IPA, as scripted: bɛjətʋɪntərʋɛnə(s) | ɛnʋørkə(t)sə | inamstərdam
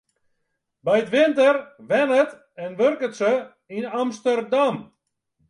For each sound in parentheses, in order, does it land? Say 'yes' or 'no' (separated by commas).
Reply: no, yes